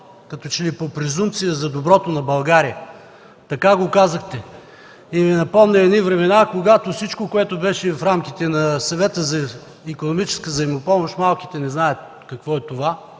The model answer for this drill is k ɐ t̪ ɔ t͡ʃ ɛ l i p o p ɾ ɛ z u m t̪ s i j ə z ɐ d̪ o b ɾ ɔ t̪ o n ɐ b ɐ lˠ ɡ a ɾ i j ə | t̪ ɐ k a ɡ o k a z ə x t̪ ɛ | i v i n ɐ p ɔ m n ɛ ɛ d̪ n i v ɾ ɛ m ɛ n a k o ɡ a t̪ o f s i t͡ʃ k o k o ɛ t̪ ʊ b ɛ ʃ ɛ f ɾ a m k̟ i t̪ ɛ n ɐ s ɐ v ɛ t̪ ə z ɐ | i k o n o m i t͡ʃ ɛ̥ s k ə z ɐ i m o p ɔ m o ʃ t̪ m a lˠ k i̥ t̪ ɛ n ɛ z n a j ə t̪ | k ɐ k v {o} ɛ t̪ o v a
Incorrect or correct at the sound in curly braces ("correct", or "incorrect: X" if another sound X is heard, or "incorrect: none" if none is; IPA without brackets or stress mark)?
incorrect: ɔ